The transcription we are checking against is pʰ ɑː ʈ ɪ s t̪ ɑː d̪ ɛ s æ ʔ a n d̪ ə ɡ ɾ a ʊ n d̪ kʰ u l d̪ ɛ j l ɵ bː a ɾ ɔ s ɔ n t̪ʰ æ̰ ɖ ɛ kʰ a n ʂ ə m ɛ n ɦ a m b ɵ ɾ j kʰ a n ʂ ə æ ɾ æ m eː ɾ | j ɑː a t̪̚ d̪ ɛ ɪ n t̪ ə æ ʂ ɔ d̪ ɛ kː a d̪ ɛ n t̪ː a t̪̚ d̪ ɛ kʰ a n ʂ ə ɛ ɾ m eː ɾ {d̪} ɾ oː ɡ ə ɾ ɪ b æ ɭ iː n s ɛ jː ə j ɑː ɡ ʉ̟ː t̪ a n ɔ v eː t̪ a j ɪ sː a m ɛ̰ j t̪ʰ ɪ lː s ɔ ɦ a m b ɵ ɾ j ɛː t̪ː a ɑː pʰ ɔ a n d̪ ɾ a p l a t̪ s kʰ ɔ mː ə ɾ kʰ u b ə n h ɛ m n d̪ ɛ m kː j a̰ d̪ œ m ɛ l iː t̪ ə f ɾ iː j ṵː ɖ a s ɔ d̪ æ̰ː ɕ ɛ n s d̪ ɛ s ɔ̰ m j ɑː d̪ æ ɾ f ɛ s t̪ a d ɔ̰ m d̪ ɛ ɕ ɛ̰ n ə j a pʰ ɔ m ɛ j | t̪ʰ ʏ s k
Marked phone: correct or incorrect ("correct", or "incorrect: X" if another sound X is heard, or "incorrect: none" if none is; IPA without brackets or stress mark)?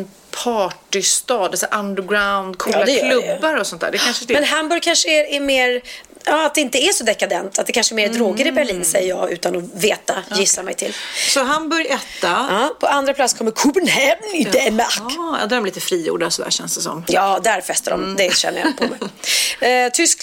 correct